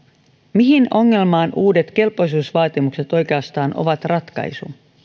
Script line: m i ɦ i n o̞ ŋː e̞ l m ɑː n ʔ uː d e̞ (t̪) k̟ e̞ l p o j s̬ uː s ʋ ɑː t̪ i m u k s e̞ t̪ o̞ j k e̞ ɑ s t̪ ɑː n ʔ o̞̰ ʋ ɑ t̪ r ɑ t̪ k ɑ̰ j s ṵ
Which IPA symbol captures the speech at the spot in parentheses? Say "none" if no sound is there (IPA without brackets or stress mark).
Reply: t̪